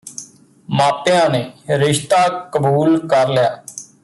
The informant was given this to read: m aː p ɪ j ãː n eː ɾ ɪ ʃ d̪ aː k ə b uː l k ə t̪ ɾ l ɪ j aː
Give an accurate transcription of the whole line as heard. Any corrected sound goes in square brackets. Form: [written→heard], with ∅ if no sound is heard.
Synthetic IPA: m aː p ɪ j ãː n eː ɾ ɪ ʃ [d̪→t̪] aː k ə b uː l k ə [t̪→∅] ɾ l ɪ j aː